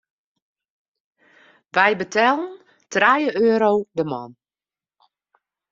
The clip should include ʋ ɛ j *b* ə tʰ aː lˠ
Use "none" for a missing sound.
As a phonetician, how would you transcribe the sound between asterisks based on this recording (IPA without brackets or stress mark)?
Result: b